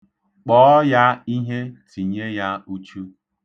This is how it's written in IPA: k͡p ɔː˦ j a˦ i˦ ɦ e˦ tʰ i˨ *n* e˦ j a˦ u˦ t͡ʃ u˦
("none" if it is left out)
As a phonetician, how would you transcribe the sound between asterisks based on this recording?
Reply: ɲ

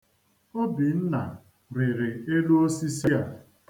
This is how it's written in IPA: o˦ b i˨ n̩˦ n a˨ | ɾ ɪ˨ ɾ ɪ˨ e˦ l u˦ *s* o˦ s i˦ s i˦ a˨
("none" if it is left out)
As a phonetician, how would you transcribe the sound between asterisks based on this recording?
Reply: none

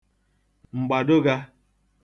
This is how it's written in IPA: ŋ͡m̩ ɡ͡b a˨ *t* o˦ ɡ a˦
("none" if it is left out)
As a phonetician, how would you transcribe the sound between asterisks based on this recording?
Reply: d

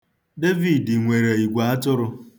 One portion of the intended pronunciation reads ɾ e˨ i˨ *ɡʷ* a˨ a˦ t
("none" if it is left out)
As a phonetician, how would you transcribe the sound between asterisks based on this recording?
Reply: ɡʷ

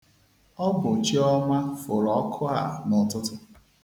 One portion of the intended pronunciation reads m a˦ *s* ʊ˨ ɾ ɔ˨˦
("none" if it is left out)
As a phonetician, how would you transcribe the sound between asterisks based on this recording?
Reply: f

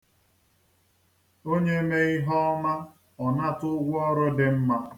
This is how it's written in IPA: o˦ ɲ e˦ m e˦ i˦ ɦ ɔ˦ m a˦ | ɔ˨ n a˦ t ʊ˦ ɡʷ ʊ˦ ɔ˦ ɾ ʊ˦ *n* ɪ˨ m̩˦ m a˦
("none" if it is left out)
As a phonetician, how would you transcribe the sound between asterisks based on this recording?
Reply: d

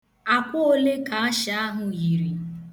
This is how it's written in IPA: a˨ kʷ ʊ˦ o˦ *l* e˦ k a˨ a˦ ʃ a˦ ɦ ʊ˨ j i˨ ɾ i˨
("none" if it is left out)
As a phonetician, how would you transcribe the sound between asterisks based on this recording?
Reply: l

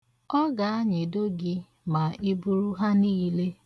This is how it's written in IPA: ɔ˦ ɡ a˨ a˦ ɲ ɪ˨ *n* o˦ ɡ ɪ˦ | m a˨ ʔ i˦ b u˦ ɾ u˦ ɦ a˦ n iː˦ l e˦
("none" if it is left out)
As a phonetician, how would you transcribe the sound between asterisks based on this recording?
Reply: d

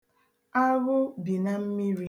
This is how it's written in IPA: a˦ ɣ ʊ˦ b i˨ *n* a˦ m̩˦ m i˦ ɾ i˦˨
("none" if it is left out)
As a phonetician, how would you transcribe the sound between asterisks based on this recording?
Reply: n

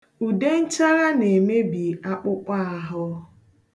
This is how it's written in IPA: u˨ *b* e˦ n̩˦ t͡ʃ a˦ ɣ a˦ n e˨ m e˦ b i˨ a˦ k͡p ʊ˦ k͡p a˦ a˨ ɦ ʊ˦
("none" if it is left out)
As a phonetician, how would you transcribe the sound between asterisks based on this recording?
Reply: d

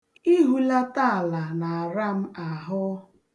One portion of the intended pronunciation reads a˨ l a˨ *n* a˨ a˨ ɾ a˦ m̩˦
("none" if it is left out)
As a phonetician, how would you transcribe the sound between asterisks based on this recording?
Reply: n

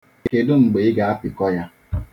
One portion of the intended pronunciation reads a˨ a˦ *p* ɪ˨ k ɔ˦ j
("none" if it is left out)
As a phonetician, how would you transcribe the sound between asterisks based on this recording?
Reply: p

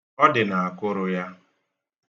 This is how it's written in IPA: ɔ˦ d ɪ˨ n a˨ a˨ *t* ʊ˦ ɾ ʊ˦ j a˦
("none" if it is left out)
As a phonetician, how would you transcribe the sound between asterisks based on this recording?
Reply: k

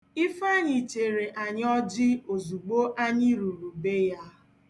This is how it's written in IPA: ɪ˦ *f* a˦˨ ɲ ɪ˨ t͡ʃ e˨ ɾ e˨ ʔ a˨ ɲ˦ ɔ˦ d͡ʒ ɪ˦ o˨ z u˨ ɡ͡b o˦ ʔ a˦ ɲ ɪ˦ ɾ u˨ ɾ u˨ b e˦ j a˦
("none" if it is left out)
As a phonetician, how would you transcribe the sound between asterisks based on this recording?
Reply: f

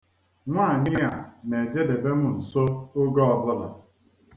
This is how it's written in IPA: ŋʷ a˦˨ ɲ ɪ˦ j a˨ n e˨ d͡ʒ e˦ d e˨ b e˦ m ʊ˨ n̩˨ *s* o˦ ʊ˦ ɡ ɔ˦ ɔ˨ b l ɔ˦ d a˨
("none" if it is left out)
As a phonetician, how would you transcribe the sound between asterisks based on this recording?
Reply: s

